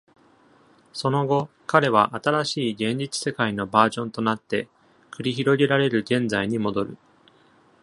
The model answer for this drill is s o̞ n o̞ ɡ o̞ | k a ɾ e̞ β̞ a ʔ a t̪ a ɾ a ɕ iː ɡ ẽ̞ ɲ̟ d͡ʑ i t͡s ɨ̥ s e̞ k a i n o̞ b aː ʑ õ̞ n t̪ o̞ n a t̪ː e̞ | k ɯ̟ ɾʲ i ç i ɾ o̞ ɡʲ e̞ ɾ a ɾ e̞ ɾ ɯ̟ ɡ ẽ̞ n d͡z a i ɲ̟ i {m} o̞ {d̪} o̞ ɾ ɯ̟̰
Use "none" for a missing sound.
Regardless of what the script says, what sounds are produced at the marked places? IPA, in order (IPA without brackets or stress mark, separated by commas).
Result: m, d̪